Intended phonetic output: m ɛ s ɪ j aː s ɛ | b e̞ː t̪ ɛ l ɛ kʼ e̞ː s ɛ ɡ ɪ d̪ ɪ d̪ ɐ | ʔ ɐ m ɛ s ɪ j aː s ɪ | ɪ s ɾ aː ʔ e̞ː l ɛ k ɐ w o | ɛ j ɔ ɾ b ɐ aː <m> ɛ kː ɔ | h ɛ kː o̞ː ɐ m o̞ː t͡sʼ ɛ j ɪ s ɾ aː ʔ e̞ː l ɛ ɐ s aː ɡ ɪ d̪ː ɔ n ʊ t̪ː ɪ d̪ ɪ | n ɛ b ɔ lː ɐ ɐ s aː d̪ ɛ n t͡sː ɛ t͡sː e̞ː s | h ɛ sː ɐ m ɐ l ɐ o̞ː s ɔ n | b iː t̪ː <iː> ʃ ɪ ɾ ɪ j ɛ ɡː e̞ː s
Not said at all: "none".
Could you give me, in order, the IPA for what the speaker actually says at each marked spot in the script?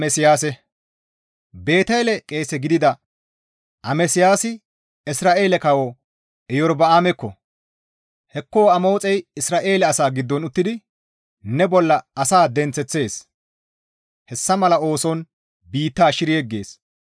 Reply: m, aː

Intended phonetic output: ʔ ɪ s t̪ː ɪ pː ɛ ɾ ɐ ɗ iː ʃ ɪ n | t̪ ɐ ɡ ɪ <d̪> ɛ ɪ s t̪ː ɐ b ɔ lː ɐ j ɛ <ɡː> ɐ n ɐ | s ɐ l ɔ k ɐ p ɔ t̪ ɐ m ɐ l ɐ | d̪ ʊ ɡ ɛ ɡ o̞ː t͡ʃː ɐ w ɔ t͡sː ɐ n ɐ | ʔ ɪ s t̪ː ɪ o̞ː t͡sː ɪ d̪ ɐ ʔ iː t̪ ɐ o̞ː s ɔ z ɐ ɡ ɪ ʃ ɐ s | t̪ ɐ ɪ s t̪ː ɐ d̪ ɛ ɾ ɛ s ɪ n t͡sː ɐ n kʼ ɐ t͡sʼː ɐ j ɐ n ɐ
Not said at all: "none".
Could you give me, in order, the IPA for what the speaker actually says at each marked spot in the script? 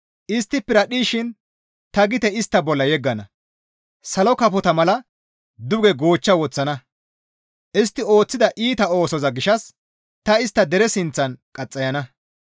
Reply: t̪, ɡː

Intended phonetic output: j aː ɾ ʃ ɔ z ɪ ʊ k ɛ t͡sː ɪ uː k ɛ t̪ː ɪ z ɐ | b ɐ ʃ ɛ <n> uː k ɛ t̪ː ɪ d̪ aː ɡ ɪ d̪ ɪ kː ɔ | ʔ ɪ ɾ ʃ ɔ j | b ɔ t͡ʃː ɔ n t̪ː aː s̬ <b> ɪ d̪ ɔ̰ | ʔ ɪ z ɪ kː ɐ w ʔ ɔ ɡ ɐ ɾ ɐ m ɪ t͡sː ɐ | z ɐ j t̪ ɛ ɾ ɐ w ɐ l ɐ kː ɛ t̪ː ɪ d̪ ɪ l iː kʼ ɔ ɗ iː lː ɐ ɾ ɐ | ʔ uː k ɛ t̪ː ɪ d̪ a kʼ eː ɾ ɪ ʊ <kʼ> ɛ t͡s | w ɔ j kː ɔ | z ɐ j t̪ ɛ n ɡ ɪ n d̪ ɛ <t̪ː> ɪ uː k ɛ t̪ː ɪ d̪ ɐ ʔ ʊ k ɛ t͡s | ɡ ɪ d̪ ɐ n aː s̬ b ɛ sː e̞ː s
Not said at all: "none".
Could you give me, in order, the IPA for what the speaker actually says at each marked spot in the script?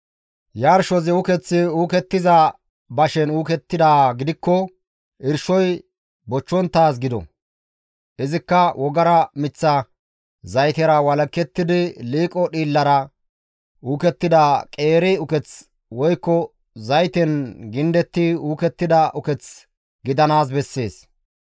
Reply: n, ɡ, k, t̪ː

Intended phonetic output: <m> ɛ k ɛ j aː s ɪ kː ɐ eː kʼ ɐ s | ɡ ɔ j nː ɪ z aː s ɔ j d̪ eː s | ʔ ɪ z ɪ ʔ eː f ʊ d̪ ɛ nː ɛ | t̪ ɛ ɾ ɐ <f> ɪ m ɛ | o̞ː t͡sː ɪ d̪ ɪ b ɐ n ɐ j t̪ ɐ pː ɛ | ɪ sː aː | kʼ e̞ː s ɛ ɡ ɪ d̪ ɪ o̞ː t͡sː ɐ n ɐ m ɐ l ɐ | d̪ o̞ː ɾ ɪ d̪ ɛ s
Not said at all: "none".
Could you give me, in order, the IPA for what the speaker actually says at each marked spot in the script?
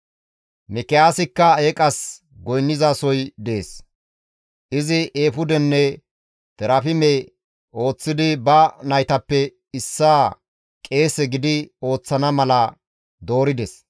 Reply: m, f

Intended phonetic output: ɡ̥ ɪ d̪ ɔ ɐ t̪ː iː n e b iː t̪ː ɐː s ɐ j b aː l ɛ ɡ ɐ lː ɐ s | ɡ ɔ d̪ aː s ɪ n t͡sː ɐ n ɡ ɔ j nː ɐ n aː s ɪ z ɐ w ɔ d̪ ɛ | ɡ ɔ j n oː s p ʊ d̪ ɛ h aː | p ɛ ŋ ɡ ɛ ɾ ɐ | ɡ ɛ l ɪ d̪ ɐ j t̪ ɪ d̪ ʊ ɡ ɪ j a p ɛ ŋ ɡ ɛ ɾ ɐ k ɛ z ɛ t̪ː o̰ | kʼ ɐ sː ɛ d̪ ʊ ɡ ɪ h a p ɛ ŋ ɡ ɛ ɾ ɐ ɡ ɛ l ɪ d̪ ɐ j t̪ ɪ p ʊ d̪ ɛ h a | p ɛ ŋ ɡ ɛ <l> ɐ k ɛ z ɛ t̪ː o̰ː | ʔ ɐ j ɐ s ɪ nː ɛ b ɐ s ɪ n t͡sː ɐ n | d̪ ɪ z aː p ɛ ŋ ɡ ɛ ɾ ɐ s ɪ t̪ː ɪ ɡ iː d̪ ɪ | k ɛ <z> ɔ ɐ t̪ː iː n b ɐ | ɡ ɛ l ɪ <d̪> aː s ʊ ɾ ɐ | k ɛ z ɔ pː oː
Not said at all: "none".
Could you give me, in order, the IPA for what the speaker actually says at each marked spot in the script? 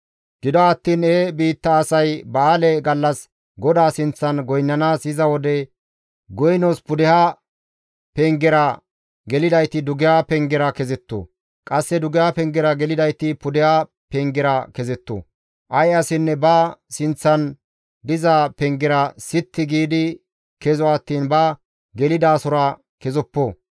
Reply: ɾ, z, d̪

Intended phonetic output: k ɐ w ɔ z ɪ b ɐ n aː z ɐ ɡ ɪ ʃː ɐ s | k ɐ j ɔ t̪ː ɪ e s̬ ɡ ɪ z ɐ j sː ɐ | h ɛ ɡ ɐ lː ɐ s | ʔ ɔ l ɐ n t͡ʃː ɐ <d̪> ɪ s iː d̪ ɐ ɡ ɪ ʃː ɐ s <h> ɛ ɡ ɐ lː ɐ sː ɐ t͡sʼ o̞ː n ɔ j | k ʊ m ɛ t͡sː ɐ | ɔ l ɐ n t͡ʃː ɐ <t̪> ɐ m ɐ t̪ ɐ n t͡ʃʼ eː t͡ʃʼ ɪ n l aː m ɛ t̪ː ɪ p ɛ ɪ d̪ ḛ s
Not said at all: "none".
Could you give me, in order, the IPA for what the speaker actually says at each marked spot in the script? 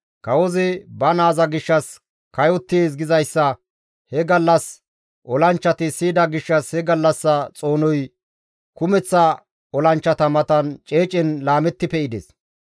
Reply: t̪, h, t̪

